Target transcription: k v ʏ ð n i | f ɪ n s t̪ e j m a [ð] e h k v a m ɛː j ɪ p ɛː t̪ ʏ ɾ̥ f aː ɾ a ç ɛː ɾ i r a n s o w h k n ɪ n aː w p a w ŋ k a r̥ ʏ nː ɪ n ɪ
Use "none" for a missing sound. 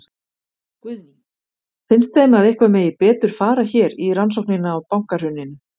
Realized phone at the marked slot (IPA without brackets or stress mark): ð